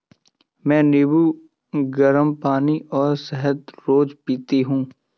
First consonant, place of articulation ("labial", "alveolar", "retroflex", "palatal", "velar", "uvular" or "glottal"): labial